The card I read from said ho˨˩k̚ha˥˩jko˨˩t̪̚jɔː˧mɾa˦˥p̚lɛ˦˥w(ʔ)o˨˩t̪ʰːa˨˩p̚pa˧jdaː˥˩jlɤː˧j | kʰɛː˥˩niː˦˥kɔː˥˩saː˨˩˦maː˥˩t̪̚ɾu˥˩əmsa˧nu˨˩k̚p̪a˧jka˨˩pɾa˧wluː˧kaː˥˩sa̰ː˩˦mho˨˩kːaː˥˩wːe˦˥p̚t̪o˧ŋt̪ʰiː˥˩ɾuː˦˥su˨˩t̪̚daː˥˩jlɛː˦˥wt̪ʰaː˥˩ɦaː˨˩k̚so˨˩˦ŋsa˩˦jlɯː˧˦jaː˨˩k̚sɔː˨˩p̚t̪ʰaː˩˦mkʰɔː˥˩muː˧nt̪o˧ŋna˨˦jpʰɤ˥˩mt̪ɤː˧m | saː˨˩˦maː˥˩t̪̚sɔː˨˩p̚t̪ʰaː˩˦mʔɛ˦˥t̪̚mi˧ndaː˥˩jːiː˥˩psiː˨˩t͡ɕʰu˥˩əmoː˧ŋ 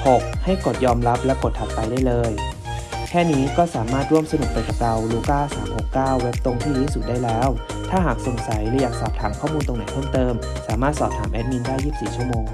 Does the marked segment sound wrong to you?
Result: yes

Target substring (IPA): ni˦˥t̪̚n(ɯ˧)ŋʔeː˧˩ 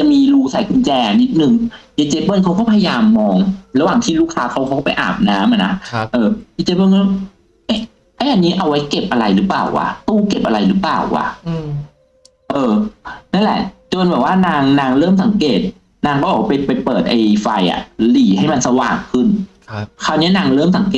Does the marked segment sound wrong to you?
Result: yes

